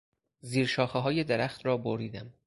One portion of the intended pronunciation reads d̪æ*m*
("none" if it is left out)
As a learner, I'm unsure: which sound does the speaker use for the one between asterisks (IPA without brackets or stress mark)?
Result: m